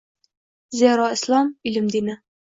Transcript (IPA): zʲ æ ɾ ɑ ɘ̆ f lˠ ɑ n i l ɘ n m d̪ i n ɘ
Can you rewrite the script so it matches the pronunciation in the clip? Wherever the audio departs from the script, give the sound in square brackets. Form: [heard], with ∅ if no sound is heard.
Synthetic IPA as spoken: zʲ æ ɾ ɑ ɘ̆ [s] lˠ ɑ [m] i l ɘ [∅] m d̪ i n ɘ